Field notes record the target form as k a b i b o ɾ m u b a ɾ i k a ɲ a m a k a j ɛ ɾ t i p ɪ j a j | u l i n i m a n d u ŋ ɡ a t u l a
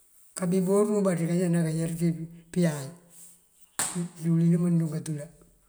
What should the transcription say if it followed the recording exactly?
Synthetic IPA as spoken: k a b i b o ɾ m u b a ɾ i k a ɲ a n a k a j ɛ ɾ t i p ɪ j a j | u l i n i m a n d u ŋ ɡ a t u l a

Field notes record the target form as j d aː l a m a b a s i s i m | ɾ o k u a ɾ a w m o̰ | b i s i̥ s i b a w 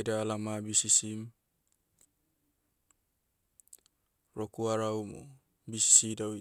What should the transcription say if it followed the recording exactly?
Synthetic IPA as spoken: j d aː l a m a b i s i s i m | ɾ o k u a ɾ a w m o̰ | b i s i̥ s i d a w

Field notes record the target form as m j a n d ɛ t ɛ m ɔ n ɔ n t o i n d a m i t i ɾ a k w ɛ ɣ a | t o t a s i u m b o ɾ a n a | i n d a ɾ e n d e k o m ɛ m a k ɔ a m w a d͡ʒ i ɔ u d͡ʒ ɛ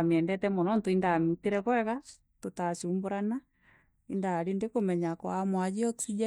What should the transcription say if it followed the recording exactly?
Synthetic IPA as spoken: m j ɛ n d ɛ t ɛ m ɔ n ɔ n t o i n d a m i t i ɾ ɛ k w ɛ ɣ a | t o t a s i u m b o ɾ a n a | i n d a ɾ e n d e k o m ɛ ɲ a k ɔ a m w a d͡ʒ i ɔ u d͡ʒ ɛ

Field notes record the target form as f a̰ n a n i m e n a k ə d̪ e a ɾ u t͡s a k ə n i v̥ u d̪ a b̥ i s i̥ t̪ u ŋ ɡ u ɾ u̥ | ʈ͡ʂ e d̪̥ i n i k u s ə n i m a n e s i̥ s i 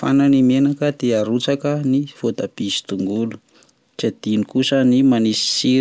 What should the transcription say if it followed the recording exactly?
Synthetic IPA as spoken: f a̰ n a n i m e n a k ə d̪ e a ɾ u t͡s a k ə n i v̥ o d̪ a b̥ i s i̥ t̪ u ŋ ɡ u l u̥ | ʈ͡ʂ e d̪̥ i n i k u s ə n i m a n i s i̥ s i

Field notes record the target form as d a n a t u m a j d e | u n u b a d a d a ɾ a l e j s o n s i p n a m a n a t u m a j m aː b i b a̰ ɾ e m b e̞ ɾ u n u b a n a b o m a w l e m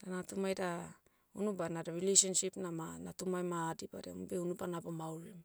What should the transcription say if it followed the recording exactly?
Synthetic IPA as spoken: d a n a t u m a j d a | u n u b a n a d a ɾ i l e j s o n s i p n a m a n a t u m a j m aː d i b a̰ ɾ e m b e̞ u n u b a n a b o m a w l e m

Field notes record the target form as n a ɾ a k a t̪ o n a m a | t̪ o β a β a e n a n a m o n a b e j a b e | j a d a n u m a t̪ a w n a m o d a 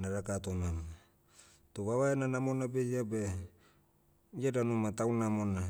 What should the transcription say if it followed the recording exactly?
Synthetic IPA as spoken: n a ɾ a k a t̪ o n a m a | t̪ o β a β a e n a n a m o n a b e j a b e | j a d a n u m a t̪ a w n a m o n a

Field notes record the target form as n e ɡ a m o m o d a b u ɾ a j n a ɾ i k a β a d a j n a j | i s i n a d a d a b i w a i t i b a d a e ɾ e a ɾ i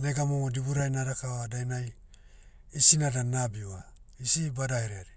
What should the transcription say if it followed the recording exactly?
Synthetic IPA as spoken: n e ɡ a m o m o d i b u ɾ a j n a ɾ a k a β a d a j n a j | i s i n a d a n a b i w a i s i b a d a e ɾ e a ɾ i

